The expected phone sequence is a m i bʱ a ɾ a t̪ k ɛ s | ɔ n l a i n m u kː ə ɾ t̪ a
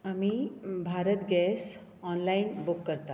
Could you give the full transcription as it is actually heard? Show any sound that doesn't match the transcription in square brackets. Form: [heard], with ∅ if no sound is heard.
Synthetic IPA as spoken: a m i bʱ a ɾ [ə] t̪ [ɡ] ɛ s | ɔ n l a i n [b] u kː ə ɾ t̪ a